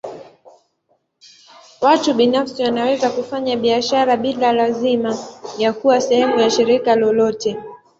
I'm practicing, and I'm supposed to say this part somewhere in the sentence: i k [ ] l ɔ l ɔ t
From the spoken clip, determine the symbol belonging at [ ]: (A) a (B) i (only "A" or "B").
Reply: A